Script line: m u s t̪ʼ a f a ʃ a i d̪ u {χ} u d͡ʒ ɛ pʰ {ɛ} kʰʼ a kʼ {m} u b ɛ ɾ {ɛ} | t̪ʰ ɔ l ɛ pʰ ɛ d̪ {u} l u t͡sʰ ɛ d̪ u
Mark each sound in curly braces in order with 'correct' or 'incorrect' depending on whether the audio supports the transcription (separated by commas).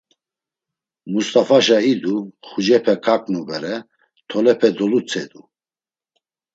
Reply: correct, correct, incorrect, correct, incorrect